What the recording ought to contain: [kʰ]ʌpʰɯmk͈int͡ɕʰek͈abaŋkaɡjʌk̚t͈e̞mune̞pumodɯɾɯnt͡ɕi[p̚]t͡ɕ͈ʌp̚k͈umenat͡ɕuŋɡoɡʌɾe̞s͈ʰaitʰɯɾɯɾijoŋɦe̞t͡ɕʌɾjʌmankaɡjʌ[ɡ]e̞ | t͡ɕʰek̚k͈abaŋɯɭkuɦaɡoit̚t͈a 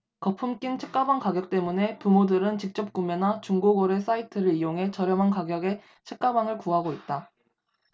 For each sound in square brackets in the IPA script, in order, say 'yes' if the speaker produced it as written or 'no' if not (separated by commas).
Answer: no, no, yes